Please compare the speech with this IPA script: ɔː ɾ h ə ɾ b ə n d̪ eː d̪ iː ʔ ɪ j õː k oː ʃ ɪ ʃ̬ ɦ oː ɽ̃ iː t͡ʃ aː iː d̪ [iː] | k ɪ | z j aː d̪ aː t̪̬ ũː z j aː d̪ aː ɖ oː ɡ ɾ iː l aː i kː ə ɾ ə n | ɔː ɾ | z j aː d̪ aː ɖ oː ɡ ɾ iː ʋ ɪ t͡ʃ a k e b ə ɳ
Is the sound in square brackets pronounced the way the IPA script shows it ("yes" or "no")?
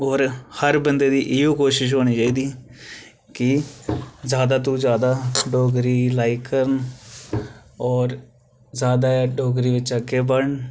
yes